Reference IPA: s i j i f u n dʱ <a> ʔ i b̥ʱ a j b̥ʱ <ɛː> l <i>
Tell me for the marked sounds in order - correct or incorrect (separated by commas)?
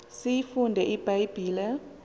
incorrect, incorrect, incorrect